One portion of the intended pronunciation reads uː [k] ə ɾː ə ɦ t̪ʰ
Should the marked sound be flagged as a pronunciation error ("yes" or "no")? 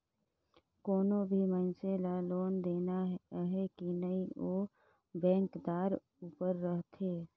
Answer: yes